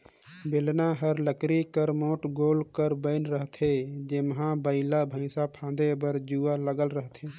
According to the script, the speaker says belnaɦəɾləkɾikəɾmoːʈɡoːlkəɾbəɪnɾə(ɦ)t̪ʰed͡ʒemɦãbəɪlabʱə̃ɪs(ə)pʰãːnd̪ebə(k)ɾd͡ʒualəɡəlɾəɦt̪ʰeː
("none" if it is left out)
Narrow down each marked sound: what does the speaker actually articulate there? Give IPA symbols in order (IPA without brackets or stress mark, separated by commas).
ɦ, a, none